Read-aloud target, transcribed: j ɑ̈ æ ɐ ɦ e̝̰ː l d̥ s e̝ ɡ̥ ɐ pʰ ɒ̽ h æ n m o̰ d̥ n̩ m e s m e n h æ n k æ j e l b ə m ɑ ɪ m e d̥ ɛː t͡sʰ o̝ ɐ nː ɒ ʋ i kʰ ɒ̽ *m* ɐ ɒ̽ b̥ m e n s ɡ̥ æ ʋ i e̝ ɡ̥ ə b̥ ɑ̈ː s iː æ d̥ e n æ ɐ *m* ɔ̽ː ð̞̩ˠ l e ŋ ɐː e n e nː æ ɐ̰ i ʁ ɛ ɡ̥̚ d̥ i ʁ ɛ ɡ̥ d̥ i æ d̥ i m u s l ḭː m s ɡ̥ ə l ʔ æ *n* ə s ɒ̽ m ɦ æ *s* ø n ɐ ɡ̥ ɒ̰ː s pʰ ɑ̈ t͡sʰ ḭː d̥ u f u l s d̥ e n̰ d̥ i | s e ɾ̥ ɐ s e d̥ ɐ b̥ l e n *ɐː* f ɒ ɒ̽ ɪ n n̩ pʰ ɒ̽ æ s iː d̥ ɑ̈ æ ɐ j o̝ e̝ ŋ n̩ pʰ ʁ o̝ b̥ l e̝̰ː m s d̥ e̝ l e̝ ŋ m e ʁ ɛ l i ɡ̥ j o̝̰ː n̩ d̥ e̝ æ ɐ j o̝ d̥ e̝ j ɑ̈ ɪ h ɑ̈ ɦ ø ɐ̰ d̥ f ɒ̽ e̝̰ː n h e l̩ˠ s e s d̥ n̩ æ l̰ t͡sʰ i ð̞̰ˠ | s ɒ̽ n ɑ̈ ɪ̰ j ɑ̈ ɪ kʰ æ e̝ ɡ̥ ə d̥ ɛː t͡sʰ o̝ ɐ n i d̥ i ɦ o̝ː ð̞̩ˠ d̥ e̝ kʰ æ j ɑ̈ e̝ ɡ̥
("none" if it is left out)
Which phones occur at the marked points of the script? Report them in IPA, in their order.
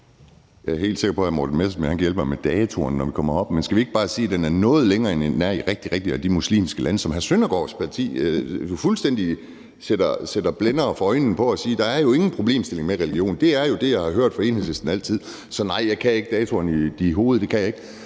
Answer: m, n, n, s, ɐː

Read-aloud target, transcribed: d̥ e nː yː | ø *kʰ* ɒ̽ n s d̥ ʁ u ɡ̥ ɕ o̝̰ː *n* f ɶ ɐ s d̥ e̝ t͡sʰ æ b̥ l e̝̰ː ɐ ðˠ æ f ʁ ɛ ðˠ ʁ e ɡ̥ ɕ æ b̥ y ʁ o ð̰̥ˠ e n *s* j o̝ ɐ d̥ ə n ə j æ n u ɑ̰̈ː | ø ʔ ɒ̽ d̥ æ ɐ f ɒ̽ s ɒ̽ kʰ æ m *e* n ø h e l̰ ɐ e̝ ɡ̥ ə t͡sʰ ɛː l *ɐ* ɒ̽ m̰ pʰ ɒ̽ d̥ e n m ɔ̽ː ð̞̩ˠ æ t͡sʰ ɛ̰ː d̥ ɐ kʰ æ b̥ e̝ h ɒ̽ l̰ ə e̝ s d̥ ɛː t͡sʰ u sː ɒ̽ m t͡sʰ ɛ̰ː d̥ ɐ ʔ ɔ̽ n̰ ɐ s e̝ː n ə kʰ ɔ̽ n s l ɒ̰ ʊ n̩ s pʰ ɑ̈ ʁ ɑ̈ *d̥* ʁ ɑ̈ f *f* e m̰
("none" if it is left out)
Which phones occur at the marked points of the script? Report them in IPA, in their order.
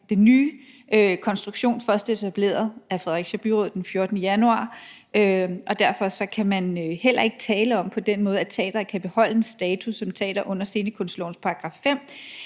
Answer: kʰ, n, f, æ, ə, ɡ̥, f

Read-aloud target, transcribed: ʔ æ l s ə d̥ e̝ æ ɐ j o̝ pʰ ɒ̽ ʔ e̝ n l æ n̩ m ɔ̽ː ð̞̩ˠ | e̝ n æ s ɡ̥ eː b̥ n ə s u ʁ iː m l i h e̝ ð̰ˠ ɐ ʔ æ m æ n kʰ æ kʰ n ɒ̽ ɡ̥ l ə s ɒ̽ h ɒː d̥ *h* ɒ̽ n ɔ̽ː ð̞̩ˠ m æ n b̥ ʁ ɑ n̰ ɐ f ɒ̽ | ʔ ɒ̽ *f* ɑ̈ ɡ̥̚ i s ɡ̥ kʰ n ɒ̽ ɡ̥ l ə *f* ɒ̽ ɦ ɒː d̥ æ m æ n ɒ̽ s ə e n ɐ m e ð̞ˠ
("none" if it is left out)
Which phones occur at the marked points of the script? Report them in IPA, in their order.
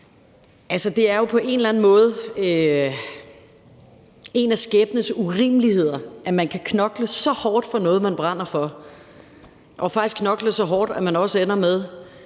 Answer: f, f, s

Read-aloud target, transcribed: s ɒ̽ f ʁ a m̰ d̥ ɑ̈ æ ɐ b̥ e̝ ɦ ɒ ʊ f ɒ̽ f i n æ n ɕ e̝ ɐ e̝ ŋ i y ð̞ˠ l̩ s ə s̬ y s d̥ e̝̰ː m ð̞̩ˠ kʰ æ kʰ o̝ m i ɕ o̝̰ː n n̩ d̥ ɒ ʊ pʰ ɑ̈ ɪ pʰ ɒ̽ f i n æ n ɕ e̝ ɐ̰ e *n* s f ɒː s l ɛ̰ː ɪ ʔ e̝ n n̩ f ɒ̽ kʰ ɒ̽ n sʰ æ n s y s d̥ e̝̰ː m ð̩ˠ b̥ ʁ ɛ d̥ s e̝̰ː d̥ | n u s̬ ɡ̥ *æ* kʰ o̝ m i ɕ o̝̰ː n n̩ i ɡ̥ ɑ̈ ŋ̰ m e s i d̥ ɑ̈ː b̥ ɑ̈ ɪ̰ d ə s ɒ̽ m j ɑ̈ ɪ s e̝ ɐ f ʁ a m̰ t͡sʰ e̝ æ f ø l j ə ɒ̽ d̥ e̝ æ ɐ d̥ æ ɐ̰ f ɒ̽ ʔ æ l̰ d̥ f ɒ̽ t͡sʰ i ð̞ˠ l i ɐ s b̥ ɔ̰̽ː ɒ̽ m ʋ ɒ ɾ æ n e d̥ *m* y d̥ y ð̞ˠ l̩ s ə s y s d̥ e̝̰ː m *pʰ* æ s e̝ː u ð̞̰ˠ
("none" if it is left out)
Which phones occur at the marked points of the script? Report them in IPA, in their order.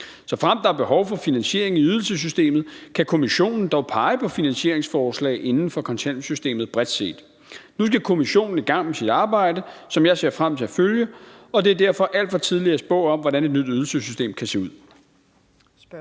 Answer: ŋ, æ, n, kʰ

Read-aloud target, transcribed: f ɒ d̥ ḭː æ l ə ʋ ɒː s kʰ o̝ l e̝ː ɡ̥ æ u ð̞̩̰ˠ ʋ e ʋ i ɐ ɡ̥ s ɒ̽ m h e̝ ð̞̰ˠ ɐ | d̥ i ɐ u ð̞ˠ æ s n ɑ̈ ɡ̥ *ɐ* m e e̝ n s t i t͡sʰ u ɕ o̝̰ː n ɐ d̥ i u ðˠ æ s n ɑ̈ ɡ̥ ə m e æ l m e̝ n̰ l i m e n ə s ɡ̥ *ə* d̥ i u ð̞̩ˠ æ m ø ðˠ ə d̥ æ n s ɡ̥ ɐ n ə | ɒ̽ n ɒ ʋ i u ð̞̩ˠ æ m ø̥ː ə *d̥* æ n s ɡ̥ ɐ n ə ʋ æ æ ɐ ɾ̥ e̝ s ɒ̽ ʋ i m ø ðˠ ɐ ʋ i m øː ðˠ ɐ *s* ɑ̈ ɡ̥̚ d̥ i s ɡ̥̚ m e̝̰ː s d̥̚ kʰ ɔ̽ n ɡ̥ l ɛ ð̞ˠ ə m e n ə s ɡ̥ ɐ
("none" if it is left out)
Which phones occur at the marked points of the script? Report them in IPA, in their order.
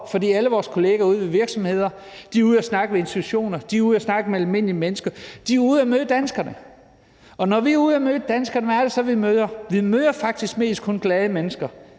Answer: ə, ɐ, d̥, f

